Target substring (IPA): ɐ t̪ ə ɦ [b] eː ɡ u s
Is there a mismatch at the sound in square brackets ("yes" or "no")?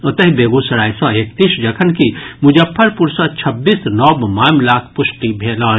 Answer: no